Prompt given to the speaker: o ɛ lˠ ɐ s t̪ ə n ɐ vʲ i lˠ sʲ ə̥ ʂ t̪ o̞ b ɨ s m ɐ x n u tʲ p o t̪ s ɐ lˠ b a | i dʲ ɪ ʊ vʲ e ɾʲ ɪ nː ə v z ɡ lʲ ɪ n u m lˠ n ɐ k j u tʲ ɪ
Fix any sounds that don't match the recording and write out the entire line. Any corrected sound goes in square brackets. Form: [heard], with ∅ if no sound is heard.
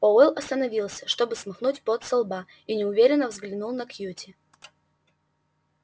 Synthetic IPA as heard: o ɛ lˠ ɐ s t̪ ə n ɐ vʲ i lˠ sʲ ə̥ ʂ t̪ o̞ b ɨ s m ɐ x n u tʲ p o t̪ s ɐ lˠ b a | i [nʲ] ɪ ʊ vʲ e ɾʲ ɪ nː ə v z ɡ lʲ ɪ n u [∅] lˠ n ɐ k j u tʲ ɪ